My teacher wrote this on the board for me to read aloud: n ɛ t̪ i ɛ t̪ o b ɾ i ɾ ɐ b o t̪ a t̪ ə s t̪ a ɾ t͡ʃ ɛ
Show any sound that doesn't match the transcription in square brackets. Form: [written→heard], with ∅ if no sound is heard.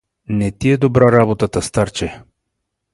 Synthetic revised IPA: n ɛ t̪ i ɛ [t̪→d̪] o b ɾ [i→a] ɾ [ɐ→a] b o t̪ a t̪ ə s t̪ a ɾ t͡ʃ ɛ